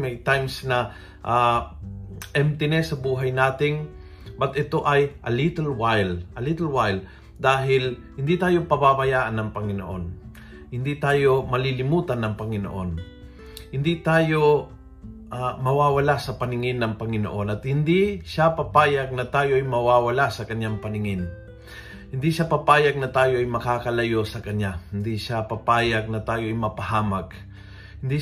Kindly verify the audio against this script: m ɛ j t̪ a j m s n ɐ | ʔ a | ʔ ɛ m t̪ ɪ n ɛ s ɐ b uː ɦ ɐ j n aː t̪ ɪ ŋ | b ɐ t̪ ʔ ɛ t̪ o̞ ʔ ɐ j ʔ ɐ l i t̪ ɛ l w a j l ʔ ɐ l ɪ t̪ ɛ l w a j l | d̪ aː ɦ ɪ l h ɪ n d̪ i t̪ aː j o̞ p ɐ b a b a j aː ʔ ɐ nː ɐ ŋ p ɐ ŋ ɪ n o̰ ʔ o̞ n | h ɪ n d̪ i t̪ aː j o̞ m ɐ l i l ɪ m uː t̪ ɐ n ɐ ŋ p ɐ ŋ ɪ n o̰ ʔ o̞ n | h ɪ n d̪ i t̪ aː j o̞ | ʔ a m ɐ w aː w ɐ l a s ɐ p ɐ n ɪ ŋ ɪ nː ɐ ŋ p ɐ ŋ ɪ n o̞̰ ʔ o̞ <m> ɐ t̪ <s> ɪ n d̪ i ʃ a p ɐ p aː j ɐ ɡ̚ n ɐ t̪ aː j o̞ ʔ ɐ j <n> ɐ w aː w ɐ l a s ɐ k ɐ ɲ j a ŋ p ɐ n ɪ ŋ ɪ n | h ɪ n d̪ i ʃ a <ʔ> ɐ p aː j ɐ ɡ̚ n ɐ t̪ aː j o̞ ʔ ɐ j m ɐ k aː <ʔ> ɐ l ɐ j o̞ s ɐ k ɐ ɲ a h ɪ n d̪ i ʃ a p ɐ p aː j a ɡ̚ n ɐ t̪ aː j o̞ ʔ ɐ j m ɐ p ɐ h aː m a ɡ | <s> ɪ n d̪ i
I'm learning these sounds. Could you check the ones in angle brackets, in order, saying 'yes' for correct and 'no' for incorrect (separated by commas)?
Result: no, no, no, no, no, no